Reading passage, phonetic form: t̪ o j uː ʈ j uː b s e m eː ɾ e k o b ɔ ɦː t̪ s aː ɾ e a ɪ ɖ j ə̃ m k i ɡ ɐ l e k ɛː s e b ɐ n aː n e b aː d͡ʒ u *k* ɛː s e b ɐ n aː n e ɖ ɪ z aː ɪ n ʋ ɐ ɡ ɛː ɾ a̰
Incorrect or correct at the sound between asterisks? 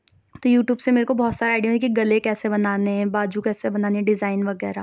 correct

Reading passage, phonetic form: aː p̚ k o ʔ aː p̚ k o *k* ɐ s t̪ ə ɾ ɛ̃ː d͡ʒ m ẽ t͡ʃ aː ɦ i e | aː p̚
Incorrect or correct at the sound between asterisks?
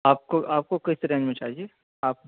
correct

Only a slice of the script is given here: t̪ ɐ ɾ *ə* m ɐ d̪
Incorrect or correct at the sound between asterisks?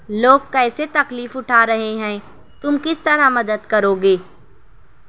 incorrect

